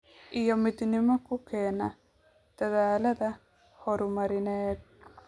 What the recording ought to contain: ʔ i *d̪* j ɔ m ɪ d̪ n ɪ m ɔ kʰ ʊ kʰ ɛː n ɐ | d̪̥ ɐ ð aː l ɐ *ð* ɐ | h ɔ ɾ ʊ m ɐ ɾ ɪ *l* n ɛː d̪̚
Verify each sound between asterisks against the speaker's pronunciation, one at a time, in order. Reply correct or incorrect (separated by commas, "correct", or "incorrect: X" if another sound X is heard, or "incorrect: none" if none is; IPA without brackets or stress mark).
incorrect: none, correct, incorrect: none